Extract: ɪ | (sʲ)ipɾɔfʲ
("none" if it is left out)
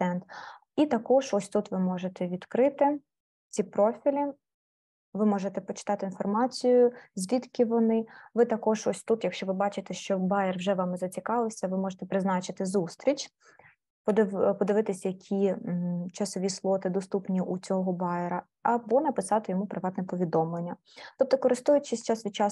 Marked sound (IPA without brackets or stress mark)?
t͡sʲ